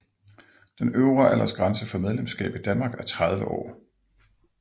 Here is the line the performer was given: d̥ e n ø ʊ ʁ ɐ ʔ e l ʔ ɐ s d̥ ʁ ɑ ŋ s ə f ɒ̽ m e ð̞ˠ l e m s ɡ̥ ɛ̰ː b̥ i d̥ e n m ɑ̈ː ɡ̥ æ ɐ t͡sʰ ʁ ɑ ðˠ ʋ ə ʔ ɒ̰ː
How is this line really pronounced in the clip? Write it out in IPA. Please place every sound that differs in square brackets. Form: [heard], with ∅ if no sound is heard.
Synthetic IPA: d̥ e n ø ʊ ʁ ɐ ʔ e l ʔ ɐ s [ɡ̥] ʁ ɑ [n] s ə f ɒ̽ m e ð̞ˠ l e m s ɡ̥ ɛ̰ː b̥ i d̥ [æ] n m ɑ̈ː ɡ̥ æ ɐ t͡sʰ ʁ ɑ ðˠ ʋ ə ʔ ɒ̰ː